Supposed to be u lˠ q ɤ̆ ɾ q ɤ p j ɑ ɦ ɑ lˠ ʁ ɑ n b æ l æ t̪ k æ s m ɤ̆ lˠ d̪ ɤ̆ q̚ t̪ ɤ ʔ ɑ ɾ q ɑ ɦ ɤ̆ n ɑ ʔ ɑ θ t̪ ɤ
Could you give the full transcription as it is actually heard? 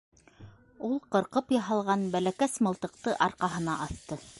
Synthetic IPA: u lˠ q ɤ̆ ɾ q ɤ p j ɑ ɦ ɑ lˠ ʁ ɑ n b æ l æ k æ s m ɤ̆ lˠ t̪ ɤ̆ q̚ t̪ ɤ ʔ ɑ ɾ q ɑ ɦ ɤ̆ n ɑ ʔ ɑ θ t̪ ɤ